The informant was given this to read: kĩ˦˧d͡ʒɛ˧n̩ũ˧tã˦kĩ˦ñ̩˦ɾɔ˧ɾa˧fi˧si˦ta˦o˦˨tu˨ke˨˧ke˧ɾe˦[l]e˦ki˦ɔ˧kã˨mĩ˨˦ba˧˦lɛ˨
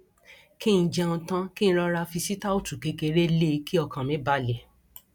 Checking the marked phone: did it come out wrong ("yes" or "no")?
no